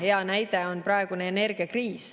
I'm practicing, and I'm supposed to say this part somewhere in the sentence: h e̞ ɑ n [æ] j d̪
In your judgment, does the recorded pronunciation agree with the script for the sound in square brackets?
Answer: yes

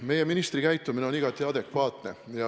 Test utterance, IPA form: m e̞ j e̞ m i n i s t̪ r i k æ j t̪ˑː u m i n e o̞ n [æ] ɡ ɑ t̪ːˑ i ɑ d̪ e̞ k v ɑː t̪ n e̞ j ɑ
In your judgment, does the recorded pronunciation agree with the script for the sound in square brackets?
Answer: no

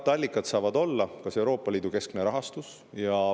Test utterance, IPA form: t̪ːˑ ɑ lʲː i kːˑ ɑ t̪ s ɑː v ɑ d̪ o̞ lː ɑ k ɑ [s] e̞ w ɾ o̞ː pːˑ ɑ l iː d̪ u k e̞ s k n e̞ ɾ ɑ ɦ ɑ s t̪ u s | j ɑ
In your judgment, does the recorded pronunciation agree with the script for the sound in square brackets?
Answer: yes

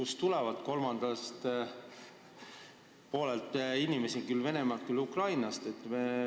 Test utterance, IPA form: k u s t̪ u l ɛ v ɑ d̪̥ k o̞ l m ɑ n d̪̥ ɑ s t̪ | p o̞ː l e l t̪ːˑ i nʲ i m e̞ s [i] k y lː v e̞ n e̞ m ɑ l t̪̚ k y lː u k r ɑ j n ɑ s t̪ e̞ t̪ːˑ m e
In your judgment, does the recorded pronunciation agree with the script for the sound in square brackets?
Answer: yes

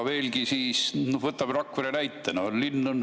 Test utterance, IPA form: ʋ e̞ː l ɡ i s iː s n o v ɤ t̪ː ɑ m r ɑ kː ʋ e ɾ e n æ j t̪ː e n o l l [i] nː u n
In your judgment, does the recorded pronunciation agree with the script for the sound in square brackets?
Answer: yes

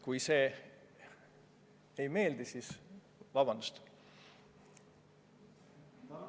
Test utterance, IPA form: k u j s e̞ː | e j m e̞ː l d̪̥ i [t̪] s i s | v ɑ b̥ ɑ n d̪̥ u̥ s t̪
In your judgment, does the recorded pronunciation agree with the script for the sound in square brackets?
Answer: no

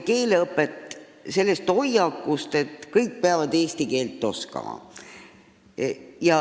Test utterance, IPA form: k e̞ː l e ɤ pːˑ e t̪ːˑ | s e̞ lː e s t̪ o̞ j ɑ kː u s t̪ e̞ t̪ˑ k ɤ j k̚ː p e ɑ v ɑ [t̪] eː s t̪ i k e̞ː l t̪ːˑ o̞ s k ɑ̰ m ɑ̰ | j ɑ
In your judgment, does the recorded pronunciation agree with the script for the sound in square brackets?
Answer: no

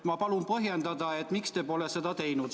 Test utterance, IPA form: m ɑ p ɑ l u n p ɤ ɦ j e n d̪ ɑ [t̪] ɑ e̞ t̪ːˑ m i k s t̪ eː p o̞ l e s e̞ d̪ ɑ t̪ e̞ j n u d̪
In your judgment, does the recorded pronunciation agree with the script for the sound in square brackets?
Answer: no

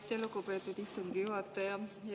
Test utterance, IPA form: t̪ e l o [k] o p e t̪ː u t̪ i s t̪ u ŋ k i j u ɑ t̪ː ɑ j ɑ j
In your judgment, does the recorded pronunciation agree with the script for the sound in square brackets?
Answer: yes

